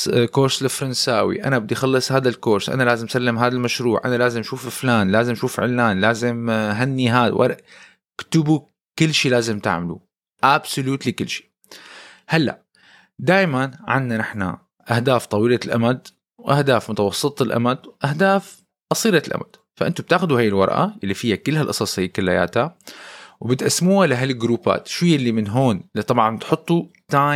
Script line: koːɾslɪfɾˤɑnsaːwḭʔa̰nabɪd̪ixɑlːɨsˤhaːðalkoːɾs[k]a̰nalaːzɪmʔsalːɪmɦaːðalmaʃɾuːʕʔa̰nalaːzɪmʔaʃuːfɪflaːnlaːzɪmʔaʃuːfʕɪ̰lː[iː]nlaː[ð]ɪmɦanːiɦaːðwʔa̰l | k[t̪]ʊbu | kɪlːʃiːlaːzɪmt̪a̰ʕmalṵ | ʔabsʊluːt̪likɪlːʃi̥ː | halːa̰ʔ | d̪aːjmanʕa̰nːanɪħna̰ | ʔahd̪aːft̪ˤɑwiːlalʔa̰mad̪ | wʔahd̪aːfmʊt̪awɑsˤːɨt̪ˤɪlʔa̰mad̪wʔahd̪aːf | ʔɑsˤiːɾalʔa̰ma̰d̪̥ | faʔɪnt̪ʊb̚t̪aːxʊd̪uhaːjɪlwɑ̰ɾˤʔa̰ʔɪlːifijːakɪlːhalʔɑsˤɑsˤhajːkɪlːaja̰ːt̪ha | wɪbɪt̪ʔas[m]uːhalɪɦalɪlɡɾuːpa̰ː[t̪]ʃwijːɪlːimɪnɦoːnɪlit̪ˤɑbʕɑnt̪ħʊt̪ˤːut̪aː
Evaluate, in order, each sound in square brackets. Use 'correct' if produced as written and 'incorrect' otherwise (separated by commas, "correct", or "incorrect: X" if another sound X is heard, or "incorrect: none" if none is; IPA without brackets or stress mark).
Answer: incorrect: ʔ, incorrect: aː, incorrect: z, correct, correct, correct